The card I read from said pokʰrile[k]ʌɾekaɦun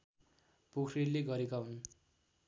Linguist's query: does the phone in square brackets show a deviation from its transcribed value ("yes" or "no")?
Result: yes